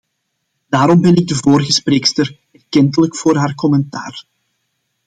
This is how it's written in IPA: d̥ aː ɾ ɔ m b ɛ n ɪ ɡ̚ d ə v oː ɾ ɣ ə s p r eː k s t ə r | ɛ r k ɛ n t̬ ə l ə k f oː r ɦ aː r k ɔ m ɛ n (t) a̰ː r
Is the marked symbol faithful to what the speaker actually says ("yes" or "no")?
yes